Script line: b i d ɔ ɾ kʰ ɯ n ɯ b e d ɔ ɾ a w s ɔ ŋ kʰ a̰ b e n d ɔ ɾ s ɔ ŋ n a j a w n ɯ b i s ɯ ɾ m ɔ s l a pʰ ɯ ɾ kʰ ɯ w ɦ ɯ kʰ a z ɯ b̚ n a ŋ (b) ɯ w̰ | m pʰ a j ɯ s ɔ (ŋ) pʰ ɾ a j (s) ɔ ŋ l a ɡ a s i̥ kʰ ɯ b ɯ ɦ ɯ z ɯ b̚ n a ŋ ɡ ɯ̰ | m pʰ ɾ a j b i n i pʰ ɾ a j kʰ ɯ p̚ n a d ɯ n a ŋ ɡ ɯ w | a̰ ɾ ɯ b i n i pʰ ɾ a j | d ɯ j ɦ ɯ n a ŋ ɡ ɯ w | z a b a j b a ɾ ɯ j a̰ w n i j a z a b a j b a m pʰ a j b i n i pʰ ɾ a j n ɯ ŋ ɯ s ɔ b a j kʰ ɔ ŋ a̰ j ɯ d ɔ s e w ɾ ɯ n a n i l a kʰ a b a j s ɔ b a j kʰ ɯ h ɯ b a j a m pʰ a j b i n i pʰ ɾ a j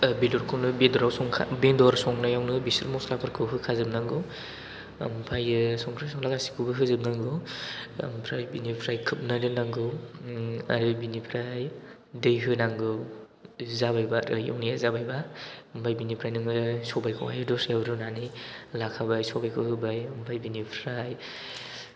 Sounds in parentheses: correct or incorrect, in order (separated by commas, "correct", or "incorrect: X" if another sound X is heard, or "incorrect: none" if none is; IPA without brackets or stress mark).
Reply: incorrect: ɡ, correct, correct